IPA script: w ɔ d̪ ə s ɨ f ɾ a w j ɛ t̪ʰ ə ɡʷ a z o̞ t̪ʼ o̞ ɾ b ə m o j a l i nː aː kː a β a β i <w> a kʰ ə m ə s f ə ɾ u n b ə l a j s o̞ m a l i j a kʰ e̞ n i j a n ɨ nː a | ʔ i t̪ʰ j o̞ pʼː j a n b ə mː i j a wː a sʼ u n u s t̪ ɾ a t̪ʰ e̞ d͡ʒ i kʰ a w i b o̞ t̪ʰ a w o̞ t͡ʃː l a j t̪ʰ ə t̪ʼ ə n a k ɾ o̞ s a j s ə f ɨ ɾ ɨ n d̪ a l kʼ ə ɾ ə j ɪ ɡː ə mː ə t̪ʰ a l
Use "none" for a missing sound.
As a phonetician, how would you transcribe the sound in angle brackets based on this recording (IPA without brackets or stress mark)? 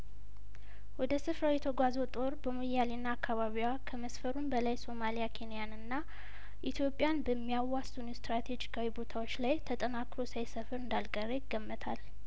w